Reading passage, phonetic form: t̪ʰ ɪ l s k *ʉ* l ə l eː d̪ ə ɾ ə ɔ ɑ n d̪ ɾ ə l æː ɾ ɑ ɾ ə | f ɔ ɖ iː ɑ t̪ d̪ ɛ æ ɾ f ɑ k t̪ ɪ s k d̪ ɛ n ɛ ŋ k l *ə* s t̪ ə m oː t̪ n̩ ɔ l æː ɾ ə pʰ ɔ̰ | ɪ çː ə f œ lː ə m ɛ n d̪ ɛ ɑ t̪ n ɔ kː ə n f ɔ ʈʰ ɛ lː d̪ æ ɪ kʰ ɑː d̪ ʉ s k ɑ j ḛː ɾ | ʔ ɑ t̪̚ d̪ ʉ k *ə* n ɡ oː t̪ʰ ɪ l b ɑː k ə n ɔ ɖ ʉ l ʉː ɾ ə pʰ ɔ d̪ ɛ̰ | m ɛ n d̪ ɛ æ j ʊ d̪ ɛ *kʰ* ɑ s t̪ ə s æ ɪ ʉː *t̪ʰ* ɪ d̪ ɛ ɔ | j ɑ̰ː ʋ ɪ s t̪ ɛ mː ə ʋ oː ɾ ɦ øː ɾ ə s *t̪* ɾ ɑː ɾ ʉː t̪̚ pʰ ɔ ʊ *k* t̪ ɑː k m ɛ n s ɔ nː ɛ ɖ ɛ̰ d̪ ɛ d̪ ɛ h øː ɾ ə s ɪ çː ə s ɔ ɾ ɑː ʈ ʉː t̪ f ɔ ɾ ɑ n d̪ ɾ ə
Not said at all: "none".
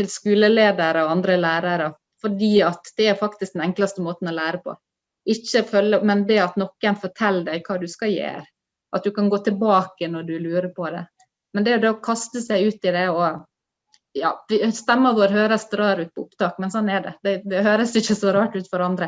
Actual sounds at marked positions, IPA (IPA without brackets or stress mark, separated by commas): ʉː, ɑ, ɑ, kʰ, t̪, d̪, p